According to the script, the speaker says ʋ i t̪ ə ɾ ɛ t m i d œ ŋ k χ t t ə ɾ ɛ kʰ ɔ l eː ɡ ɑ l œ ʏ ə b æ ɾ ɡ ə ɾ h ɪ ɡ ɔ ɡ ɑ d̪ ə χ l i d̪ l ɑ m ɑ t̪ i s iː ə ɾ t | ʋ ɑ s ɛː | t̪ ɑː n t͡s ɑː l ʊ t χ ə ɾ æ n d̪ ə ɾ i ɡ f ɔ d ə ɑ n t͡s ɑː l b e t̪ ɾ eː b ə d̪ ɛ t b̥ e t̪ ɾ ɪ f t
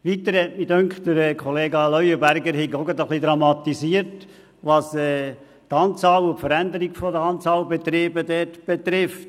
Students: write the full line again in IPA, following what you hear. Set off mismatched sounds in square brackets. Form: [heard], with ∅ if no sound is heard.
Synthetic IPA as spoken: ʋ i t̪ ə ɾ ɛ t m i d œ ŋ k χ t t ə ɾ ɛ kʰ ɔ l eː ɡ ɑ l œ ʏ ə b æ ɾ ɡ ə ɾ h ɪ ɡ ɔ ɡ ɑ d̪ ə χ l i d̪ [ɾ] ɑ m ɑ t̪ i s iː ə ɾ t | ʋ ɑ s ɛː | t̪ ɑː n t͡s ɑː l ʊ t [f] ə ɾ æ n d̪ ə ɾ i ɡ f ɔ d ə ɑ n t͡s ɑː l b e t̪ ɾ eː b ə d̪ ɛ t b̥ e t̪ ɾ ɪ f t